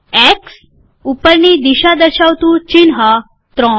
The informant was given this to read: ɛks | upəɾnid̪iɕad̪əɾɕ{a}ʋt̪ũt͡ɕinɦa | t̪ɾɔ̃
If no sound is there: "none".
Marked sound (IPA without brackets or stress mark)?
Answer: a